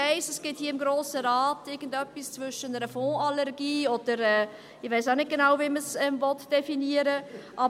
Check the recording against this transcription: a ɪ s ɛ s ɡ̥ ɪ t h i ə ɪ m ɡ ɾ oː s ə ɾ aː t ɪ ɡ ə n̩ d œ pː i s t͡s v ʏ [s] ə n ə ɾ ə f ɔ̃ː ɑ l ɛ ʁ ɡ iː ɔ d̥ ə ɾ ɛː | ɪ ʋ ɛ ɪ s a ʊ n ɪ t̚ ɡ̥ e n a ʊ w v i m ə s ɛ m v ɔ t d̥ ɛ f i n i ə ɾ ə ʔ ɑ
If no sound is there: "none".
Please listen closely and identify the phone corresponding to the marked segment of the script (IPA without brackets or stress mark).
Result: ʃ